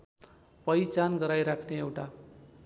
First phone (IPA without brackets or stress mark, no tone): p